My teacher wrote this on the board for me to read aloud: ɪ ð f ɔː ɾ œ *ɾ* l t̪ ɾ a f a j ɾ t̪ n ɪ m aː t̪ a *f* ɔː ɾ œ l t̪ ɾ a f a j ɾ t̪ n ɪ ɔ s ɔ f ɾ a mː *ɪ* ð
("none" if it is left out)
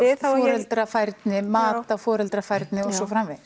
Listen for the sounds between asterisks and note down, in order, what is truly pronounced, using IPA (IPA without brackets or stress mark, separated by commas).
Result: none, f, ɪ